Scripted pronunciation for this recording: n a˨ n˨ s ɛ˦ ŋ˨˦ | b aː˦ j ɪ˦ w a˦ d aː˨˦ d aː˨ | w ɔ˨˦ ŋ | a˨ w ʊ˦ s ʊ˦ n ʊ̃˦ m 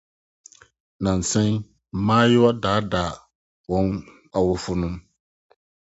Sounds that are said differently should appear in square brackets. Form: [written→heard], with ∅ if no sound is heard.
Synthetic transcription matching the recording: n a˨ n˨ s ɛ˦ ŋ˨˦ | [b→m] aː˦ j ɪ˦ w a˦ d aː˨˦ d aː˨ | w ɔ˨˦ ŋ | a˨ w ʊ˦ [s→f] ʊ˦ n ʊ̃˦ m